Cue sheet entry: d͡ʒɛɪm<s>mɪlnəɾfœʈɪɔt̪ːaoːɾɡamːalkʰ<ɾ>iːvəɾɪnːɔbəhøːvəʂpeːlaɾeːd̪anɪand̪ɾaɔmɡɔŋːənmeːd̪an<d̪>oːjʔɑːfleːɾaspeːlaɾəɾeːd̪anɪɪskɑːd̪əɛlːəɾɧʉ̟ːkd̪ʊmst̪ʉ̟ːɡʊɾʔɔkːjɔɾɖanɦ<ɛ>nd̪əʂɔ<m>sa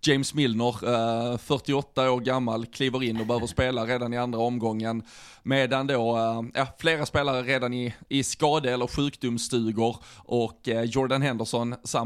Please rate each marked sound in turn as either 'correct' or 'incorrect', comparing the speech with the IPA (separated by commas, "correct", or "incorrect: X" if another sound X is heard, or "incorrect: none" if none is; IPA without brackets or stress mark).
correct, incorrect: l, correct, correct, incorrect: n